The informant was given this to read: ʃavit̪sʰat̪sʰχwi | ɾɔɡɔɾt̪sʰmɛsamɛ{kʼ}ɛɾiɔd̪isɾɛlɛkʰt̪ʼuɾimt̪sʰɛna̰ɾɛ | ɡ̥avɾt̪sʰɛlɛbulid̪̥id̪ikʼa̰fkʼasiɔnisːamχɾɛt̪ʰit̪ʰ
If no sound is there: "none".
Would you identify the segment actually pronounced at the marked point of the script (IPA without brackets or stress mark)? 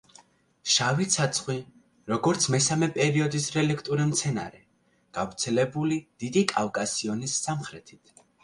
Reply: pʼ